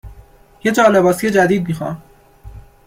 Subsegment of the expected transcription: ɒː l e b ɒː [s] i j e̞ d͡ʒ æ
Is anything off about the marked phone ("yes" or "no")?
no